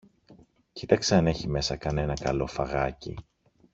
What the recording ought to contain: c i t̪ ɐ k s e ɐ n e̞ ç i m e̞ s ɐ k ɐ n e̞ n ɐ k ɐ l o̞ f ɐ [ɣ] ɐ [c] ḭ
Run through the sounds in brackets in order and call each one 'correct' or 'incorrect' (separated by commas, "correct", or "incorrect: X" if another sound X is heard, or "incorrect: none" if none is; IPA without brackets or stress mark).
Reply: correct, correct